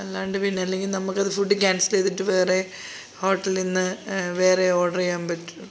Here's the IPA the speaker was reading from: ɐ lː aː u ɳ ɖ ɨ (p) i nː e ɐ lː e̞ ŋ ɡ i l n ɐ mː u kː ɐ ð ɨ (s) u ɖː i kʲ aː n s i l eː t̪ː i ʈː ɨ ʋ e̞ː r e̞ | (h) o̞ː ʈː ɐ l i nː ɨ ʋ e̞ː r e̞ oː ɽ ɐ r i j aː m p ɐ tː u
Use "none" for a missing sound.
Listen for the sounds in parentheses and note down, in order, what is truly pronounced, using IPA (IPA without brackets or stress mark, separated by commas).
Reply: p, f, h